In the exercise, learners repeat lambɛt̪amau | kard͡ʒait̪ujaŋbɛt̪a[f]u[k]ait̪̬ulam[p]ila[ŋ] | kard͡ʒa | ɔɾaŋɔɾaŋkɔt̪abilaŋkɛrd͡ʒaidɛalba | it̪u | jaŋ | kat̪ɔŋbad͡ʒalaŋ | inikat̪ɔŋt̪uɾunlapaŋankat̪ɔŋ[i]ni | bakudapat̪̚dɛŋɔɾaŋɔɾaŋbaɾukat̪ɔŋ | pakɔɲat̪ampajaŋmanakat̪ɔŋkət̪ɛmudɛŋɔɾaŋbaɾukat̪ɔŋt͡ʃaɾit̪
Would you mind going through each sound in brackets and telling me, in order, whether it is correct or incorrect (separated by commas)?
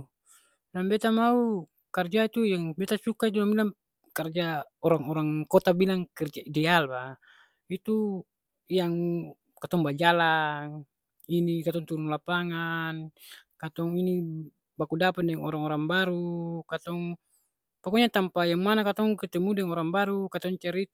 incorrect, correct, incorrect, correct, correct